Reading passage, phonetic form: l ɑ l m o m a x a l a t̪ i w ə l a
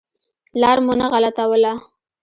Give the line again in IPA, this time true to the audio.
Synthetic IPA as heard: l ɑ ɾ m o n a ɣ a l a t̪ a w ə l a